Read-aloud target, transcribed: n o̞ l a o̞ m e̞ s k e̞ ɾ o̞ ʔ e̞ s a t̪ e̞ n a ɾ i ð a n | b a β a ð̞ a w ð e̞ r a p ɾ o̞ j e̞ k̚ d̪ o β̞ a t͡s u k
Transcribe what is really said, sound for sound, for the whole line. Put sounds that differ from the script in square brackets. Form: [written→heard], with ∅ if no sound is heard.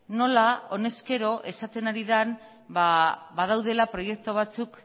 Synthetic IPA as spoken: n o̞ l a o̞ [m→n] e̞ s k e̞ ɾ o̞ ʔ e̞ s a t̪ e̞ n a ɾ i ð a n | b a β a ð̞ a w ð e̞ [r→l] a p ɾ o̞ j e̞ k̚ [d̪→t̪] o β̞ a t͡s u k